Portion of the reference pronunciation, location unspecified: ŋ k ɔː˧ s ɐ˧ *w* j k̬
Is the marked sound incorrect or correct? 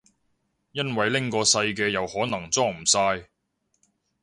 incorrect